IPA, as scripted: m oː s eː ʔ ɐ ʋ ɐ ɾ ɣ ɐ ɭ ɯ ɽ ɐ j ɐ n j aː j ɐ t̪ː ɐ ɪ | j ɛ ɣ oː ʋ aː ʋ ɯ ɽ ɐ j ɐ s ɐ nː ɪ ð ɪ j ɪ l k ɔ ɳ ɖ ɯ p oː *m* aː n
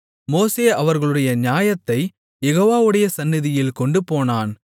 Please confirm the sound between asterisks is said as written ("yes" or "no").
no